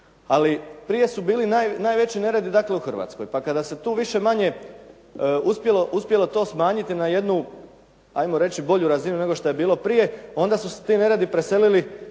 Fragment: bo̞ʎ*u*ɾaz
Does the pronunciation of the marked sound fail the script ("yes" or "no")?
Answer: no